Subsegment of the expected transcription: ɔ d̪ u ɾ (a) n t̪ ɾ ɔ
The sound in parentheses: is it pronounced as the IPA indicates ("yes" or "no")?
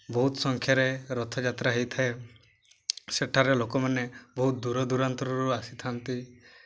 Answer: yes